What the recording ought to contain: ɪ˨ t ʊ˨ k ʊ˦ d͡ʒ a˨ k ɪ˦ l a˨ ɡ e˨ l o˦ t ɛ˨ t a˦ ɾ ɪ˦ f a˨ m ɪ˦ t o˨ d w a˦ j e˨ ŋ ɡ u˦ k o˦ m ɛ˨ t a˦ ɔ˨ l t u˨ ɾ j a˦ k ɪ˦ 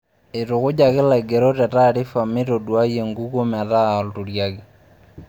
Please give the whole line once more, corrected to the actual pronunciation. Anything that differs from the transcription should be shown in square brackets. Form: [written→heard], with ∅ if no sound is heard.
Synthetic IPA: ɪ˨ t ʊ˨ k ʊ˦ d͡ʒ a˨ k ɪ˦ l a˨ ɡ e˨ [l→ɾ] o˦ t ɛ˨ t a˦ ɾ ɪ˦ f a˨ m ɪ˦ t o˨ d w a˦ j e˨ ŋ ɡ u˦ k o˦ m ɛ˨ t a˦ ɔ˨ l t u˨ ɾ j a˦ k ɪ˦